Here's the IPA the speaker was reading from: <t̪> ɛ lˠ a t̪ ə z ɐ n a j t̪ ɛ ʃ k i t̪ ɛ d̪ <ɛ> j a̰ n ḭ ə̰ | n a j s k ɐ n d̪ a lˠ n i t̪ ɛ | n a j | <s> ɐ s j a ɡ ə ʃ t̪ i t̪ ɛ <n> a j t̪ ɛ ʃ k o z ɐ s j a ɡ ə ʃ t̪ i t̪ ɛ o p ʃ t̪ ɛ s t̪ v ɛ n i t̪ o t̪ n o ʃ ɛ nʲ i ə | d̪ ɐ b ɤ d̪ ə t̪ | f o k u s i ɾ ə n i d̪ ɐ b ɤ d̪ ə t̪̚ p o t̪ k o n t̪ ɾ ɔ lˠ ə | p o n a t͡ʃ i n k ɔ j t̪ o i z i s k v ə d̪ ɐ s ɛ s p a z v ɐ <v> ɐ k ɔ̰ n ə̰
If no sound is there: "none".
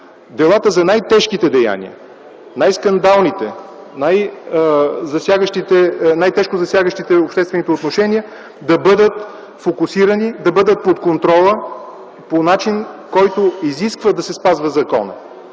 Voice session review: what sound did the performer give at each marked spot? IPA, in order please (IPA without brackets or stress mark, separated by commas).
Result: d̪, ɛ, z, n, z